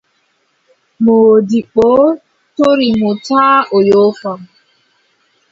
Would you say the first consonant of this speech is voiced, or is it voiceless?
voiced